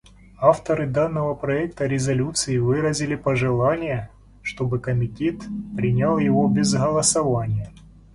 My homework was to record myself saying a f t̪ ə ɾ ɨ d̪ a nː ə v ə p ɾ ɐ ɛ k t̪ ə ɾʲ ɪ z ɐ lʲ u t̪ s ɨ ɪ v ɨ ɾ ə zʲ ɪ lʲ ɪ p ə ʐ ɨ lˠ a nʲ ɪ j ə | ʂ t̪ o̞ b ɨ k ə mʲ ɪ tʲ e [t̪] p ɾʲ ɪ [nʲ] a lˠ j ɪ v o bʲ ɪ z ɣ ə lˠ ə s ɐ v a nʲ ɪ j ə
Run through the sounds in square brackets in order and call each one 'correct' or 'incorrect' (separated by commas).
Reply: correct, correct